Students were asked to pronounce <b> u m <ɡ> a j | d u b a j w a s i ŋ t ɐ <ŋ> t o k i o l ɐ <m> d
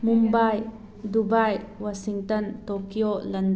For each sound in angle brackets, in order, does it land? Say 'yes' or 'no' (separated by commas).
no, no, no, no